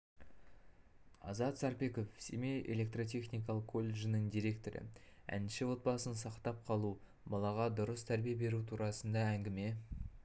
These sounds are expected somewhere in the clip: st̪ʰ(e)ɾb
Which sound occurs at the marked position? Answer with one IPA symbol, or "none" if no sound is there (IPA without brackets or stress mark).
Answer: æ